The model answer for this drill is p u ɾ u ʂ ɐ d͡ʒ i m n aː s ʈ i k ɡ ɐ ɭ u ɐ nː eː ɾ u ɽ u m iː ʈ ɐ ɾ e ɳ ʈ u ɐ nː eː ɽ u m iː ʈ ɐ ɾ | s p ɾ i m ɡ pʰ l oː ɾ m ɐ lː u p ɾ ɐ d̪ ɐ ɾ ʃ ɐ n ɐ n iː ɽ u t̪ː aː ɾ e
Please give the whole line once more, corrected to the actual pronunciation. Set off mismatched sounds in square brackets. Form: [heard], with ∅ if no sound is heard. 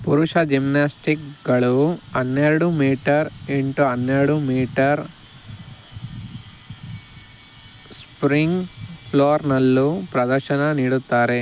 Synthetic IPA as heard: p u ɾ u ʂ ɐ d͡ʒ i m n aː s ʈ i k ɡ ɐ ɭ u ɐ nː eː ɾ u ɽ u m iː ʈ ɐ ɾ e ɳ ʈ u ɐ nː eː ɽ u m iː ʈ ɐ ɾ | s p ɾ i [ŋ] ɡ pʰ l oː ɾ [n] ɐ lː u p ɾ ɐ d̪ ɐ ɾ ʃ ɐ n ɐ n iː ɽ u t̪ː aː ɾ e